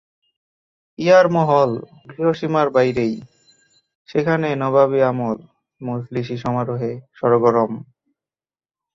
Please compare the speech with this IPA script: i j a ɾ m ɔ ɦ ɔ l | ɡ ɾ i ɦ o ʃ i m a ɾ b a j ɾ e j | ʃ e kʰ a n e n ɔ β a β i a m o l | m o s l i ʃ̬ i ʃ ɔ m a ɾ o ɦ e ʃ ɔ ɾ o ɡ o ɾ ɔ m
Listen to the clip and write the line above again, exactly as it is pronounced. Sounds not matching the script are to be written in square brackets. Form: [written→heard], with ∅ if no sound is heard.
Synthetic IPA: i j a ɾ m ɔ ɦ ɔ l | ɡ ɾ i ɦ o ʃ i m a ɾ b a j ɾ e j | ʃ e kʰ a n e n ɔ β a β i a m o l | m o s l i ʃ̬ i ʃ ɔ m a ɾ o ɦ e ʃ ɔ ɾ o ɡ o ɾ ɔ m